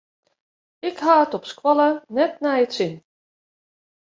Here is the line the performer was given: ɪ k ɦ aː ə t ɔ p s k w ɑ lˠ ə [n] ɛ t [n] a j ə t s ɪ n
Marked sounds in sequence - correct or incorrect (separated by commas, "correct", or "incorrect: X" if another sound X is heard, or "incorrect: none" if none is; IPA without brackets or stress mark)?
correct, correct